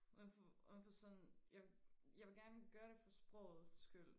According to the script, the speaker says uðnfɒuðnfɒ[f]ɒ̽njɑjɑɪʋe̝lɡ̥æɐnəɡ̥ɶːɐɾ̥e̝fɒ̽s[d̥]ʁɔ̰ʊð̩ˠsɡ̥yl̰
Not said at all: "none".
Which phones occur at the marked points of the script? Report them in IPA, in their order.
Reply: s, b̥

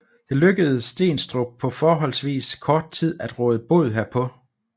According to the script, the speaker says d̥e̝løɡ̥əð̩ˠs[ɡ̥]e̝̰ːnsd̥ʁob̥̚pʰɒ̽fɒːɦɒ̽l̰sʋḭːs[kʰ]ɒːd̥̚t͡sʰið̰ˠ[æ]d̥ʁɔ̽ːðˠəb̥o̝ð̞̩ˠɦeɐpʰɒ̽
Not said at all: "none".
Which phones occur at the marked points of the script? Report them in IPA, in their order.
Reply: d̥, kʰ, æ

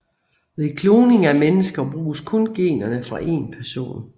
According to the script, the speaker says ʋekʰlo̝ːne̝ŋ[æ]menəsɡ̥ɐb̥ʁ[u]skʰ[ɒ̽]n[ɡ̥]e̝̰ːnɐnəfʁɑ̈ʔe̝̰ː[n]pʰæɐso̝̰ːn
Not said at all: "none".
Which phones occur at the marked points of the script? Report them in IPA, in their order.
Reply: æ, uː, ɔ̽, ɡ̥, n

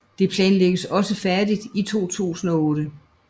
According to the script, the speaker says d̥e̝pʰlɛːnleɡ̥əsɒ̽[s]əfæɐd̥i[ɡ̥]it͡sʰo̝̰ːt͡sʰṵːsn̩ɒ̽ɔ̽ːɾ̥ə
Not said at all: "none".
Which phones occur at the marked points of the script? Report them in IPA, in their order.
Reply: s, d̥

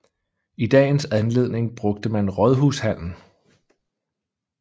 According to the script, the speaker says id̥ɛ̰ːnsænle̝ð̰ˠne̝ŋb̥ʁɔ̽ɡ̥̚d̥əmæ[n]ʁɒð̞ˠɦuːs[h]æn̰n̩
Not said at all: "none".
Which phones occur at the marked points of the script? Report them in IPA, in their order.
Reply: n, h

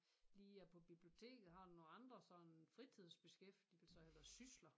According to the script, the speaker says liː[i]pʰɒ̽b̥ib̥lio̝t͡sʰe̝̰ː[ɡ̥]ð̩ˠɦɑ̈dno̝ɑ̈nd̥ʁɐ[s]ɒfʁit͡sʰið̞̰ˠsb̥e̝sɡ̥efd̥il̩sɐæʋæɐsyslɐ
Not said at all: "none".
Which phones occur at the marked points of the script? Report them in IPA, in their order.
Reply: æ, ɡ̥, s

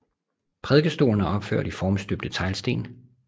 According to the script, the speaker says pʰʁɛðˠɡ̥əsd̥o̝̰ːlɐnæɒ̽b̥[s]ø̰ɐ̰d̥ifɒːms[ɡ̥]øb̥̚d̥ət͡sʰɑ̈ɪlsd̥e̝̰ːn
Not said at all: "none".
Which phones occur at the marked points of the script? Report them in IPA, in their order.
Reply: f, d̥

